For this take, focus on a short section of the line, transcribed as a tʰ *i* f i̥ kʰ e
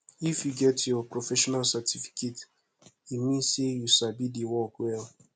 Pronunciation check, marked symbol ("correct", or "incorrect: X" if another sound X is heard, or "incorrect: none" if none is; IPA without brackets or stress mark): correct